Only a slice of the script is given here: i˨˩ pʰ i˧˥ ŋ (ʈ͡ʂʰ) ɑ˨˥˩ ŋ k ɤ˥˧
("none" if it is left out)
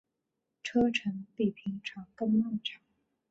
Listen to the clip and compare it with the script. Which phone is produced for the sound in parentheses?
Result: ʈ͡ʂʰ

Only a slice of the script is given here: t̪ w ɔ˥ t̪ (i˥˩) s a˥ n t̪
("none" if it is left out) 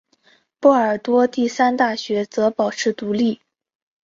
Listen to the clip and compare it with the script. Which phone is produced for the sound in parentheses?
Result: i˥˩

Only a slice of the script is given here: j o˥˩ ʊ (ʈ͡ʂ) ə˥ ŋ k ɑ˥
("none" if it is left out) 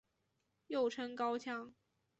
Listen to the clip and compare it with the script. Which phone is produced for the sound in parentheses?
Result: ʈ͡ʂʰ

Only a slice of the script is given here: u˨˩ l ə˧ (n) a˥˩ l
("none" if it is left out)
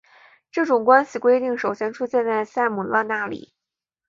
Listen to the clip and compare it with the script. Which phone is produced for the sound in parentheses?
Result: n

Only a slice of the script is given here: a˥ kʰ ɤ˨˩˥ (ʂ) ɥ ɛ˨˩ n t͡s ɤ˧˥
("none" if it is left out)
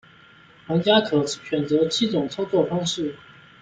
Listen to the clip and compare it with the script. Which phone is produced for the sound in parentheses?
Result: ɕ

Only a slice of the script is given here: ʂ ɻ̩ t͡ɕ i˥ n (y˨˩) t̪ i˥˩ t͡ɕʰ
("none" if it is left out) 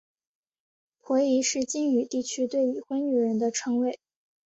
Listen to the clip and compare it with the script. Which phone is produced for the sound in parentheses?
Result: y˨˩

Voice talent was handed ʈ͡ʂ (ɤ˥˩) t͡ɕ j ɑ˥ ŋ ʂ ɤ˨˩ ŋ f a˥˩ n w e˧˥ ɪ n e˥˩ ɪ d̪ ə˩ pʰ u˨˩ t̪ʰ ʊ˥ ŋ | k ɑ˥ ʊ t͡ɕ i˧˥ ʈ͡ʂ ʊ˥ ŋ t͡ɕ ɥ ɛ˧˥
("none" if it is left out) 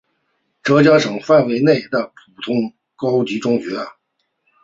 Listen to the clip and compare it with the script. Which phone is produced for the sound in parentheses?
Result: ɤ˧˥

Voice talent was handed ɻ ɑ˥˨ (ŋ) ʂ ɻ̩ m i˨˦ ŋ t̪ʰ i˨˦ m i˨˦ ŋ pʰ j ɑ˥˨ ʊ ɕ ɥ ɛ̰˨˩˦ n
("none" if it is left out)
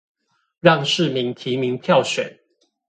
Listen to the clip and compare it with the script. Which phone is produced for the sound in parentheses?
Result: ŋ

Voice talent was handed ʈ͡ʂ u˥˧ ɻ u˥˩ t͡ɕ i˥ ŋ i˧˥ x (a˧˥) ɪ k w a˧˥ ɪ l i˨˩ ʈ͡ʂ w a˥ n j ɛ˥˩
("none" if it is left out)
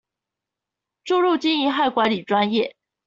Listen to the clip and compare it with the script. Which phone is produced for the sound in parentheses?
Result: a˥˩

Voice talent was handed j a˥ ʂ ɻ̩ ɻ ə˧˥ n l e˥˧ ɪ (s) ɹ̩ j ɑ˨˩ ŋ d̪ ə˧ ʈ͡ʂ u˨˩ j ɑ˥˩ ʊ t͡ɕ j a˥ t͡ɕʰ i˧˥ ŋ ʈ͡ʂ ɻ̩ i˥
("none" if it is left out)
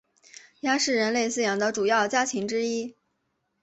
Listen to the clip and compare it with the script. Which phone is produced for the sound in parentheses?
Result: s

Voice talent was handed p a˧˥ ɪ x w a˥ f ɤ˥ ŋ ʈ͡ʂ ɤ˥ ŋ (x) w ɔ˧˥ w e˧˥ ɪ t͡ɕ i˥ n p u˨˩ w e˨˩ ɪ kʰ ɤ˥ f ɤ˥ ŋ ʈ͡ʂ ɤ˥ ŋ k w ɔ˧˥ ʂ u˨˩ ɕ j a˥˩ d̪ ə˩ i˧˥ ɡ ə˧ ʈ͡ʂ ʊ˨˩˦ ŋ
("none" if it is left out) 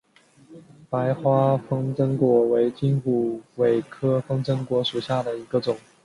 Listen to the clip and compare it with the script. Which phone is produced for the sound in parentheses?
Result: k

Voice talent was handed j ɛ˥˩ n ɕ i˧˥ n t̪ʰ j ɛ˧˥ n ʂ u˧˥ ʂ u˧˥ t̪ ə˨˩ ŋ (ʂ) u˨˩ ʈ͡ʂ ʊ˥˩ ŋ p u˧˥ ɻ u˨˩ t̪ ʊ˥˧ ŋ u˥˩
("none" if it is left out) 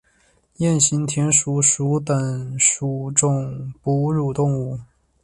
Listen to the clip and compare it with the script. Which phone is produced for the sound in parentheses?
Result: ʂ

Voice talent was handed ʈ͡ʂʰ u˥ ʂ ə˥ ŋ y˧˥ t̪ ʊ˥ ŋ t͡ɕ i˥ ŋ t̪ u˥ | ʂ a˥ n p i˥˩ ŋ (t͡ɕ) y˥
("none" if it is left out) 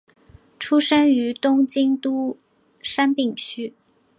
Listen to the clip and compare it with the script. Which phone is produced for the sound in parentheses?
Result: t͡ɕʰ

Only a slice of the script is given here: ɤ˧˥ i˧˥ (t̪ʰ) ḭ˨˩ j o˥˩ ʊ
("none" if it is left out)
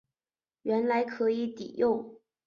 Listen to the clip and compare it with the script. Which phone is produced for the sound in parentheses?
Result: t̪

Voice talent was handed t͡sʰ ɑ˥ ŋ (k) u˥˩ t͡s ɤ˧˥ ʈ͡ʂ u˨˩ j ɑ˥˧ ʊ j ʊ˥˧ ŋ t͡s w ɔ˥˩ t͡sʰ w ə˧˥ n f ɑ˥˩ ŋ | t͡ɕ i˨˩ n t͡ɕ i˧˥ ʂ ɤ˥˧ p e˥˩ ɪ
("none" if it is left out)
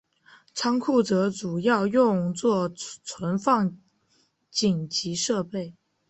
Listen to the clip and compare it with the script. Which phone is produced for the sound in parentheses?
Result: kʰ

